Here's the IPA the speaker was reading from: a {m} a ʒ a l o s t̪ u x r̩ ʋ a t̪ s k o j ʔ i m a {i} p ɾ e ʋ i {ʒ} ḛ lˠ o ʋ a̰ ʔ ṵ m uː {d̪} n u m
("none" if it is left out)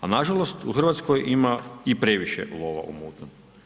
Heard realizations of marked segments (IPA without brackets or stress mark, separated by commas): n, i, ʃ, t̪